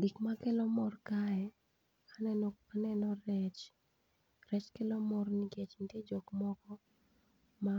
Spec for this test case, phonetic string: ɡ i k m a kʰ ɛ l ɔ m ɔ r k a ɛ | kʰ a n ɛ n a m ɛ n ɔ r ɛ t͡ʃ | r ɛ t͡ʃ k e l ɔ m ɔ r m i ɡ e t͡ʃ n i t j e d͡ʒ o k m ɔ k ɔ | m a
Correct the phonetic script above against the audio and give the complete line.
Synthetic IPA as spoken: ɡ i k m a k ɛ l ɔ m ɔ r k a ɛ | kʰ a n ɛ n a n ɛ n ɔ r ɛ t͡ʃ | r ɛ t͡ʃ k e l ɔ m ɔ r n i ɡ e t͡ʃ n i t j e d͡ʒ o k m ɔ k ɔ | m a